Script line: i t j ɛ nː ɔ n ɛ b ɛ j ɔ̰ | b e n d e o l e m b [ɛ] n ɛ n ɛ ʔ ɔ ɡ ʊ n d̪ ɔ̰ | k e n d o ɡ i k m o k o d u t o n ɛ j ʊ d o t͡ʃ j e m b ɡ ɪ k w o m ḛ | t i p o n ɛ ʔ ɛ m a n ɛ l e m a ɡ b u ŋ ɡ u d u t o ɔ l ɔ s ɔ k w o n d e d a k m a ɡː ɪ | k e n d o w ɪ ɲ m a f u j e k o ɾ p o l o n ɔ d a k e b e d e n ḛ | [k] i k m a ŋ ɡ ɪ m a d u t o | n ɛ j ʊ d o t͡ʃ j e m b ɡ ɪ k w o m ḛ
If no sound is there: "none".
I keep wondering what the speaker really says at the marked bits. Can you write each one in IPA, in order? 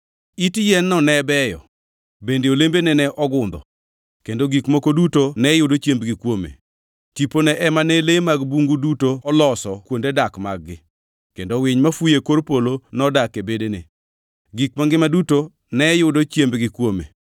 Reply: e, ɡ

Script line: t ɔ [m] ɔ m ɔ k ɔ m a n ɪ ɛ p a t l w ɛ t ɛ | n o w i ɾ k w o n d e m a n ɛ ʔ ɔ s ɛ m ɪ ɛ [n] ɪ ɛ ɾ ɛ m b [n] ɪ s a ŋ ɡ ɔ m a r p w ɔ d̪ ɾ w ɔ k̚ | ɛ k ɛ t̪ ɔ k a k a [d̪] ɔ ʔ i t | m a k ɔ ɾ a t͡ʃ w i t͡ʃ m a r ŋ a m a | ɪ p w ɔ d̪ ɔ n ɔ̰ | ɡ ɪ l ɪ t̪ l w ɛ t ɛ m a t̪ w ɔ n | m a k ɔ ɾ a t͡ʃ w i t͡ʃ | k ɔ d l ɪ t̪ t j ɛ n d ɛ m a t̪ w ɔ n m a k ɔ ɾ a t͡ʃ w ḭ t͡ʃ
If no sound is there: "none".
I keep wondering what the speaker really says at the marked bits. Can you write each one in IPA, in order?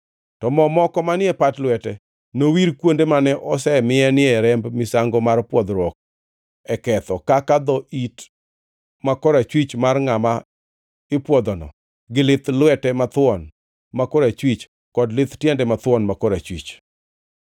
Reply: m, n, m, d̪

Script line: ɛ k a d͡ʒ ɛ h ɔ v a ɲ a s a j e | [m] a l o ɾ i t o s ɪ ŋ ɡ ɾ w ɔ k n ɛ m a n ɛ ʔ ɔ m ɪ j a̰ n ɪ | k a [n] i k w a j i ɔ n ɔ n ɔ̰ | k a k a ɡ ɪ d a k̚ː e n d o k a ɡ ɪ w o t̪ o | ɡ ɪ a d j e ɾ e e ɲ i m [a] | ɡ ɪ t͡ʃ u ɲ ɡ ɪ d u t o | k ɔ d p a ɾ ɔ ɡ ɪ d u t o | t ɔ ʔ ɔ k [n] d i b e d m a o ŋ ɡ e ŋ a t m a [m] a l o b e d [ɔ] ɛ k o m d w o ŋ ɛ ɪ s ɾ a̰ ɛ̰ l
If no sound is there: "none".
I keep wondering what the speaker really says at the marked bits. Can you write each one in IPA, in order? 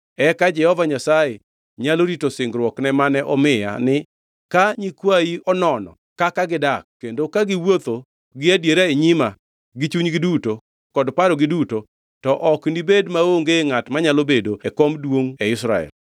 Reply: ɲ, ɲ, a, n, ɲ, o

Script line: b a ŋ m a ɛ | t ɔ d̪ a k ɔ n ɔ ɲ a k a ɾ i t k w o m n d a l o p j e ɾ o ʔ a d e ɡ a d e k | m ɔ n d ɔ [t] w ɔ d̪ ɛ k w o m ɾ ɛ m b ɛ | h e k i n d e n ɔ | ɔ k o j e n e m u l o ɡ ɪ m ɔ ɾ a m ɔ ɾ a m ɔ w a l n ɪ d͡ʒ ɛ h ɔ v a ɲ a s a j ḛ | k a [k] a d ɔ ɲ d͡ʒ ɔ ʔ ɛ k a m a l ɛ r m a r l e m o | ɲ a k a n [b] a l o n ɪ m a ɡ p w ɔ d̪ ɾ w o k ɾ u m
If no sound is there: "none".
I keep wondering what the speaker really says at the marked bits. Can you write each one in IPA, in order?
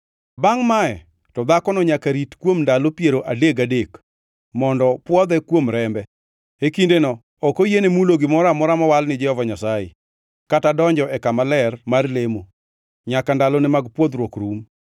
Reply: p, t, d

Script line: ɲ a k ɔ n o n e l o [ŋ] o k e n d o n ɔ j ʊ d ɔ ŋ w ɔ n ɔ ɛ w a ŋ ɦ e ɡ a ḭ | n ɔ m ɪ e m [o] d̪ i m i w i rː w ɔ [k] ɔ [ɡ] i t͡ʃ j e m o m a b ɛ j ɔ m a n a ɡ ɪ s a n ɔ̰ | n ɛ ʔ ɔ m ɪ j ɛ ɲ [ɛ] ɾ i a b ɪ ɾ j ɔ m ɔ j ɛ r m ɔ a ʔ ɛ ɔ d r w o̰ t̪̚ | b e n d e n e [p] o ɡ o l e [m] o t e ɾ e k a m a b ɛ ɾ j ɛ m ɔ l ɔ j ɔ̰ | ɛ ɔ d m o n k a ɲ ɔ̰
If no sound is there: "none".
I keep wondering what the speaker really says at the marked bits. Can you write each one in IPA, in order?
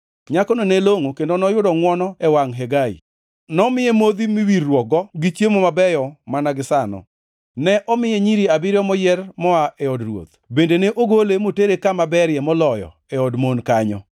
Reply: ŋ, o, ɡ, ɡ, i, ʔ, m

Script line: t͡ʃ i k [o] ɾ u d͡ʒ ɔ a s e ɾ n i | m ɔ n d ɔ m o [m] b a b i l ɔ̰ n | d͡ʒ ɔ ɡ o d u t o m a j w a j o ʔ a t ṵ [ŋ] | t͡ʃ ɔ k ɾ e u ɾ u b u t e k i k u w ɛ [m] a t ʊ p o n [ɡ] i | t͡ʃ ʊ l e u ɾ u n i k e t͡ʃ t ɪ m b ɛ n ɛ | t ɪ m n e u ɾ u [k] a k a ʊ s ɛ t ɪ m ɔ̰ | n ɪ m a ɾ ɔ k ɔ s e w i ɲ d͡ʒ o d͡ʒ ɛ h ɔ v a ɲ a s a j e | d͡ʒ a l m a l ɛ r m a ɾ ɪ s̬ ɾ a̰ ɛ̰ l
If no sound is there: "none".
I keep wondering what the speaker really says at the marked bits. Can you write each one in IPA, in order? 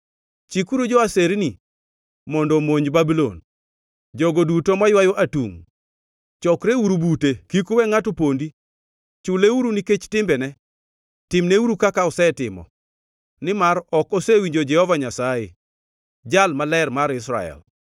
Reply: u, ɲ, ŋ, ŋ, d, k

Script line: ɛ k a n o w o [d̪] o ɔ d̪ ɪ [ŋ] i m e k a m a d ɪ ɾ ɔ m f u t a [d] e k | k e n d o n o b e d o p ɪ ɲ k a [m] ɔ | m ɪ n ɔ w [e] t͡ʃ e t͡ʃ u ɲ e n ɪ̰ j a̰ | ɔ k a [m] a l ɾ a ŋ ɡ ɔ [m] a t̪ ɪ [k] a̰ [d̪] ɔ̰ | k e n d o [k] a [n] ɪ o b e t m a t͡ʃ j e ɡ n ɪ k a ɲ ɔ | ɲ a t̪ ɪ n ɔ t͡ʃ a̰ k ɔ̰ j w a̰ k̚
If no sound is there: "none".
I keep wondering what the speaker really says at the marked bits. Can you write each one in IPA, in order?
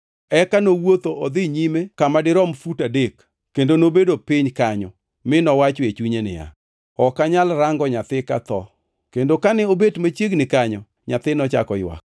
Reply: t̪, ɲ, d, ɲ, a, ɲ, ɲ, k, t̪, k, n

